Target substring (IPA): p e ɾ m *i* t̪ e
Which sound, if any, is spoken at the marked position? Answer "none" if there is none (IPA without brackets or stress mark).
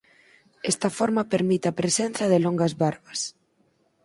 i